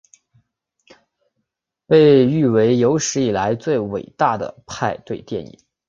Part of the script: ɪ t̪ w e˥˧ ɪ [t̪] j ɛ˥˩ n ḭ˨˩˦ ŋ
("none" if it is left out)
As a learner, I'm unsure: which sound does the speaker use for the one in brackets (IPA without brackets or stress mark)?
t̪